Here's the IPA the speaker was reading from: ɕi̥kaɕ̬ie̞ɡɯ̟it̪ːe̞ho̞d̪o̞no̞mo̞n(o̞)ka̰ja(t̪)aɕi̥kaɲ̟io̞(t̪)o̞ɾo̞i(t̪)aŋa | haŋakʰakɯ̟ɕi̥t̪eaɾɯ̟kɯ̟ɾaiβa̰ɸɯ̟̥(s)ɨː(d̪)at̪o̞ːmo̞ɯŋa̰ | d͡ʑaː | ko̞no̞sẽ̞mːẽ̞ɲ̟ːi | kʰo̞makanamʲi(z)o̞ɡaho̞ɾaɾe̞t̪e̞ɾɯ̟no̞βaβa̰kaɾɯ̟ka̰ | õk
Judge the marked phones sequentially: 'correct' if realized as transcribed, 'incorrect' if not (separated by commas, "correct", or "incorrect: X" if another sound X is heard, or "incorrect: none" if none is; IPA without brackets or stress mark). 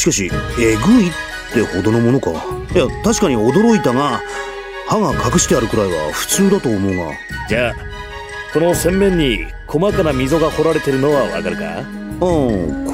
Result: correct, correct, incorrect: d̪, correct, incorrect: t͡s, correct, correct